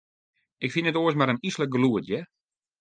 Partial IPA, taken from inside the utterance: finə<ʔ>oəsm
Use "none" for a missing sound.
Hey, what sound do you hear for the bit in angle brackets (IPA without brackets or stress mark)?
t